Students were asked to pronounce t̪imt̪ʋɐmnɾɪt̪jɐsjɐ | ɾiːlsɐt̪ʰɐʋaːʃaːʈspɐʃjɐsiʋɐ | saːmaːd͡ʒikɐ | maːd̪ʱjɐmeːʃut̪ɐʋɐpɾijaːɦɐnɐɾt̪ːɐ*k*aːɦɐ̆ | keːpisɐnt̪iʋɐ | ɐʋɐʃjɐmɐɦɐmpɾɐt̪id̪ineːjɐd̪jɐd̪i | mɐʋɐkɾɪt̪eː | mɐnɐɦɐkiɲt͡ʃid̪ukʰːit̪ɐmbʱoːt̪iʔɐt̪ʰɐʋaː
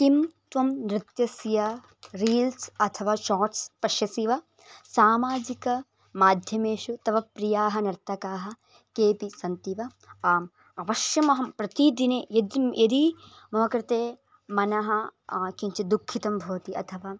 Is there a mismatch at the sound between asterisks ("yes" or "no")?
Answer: no